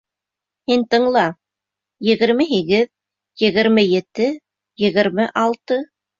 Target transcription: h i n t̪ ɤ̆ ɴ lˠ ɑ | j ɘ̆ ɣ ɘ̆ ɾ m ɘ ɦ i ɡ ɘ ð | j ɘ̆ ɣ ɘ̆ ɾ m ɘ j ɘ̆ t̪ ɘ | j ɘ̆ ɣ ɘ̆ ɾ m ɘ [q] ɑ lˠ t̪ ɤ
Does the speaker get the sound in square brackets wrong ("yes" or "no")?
yes